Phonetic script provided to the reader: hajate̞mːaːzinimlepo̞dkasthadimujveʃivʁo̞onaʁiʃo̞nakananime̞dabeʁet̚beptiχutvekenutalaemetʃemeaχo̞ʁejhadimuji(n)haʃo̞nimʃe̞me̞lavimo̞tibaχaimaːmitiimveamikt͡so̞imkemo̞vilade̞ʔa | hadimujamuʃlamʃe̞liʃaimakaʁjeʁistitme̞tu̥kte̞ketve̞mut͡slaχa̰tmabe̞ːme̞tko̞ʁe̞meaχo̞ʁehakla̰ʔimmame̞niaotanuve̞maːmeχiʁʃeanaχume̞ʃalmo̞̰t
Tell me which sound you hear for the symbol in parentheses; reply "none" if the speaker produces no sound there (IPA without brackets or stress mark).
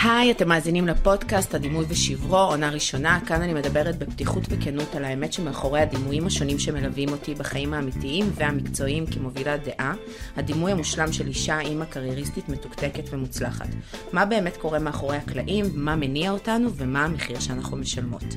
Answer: m